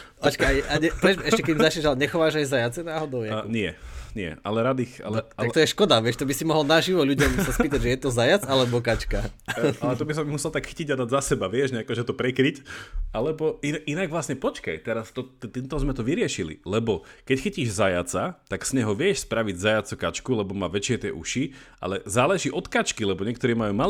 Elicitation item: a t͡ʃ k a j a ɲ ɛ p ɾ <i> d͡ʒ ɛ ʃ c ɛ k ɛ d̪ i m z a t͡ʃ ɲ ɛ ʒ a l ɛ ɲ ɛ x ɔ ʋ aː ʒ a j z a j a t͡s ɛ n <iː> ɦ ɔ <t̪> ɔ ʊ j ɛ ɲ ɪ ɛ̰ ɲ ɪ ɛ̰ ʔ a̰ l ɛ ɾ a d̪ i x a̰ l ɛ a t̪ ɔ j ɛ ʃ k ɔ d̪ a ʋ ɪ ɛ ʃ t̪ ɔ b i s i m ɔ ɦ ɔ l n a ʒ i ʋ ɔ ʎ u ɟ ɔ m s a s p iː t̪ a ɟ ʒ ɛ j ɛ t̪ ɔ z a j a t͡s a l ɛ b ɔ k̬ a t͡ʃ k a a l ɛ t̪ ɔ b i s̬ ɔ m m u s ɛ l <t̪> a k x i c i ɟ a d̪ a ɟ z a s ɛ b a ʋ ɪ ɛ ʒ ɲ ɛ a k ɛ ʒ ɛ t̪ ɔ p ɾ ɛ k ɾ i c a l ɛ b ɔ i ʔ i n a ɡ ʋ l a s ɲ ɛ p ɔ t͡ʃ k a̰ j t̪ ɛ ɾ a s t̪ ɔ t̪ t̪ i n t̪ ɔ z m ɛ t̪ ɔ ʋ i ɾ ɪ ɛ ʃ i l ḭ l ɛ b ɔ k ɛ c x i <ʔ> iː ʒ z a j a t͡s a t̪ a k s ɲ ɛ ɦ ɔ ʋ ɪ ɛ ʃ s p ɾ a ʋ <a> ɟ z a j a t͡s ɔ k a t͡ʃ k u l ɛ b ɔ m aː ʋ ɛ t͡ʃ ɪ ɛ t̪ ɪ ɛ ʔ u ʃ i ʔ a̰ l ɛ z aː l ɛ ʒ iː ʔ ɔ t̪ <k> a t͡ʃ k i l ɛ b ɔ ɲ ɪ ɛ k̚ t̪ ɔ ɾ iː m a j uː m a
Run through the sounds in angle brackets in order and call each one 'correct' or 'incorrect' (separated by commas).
incorrect, incorrect, incorrect, correct, incorrect, incorrect, correct